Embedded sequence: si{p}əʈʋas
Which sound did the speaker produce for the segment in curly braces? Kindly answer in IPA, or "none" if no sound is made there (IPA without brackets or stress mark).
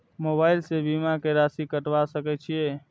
k